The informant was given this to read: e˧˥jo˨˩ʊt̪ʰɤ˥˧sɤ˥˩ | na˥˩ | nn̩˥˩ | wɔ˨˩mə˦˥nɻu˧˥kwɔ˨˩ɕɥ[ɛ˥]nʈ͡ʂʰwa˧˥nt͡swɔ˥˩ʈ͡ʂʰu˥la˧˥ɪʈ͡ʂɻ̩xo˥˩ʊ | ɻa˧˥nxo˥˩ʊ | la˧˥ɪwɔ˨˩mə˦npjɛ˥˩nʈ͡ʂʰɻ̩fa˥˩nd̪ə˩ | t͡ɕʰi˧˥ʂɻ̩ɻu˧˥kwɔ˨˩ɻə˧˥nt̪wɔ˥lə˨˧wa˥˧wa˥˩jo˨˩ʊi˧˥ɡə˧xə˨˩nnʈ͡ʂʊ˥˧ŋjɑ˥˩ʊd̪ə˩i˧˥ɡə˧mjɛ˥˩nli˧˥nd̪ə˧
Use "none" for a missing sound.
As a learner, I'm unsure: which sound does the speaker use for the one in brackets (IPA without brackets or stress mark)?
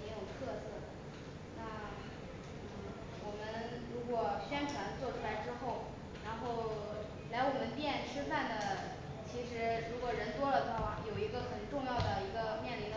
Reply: ɛ˥